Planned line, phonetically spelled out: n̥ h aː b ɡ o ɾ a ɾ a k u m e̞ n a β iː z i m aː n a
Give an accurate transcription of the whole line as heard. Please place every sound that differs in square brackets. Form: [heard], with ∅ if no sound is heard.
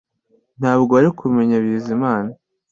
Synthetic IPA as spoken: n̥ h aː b ɡ o [∅] a ɾ [i] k u m e̞ [ɲ] a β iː z i m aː n a